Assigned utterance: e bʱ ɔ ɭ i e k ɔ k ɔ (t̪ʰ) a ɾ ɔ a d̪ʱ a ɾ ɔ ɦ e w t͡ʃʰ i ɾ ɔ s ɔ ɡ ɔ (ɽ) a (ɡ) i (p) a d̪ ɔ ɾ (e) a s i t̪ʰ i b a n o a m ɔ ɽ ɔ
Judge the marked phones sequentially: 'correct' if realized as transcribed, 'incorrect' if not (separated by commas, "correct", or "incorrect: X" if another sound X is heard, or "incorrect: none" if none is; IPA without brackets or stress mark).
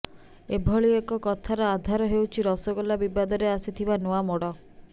correct, incorrect: l, incorrect: b, incorrect: b, correct